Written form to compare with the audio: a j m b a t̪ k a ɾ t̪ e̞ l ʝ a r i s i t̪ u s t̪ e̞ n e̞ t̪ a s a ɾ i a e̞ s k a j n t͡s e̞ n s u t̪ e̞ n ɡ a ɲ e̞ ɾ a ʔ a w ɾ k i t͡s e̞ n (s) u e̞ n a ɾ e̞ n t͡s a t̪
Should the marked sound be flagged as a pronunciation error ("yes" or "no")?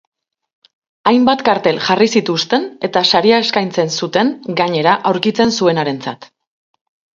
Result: no